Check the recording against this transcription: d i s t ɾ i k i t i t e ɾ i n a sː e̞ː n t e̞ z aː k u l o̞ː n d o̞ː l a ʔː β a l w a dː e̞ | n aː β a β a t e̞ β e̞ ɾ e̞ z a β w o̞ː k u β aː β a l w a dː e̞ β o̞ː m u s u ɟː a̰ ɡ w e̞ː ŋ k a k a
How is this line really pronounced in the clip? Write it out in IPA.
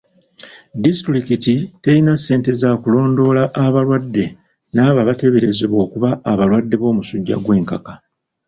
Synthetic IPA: d i s t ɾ i k i t i t e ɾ i n a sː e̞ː n t e̞ z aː k u l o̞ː n d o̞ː l a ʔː β a l w a dː e̞ | n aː β a β a t e̞ β e̞ ɾ e̞ z e β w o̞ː k u β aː β a l w a dː e̞ β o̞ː m u s u ɟː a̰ ɡ w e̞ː ŋ k a k a